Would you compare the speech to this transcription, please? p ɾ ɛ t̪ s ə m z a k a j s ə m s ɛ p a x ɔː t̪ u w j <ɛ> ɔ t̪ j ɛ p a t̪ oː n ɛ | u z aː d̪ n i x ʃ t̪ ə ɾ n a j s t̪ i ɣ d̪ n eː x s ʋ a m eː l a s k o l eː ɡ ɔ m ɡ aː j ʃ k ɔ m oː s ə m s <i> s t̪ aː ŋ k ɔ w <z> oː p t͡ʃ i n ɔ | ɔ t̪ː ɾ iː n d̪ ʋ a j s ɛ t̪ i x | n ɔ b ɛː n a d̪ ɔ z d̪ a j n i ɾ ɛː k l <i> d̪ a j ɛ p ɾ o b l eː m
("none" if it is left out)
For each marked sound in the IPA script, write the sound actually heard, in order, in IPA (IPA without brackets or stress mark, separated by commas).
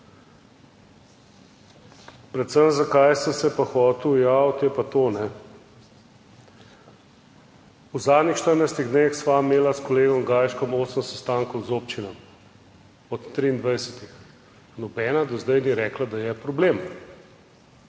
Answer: a, ɛ, z, a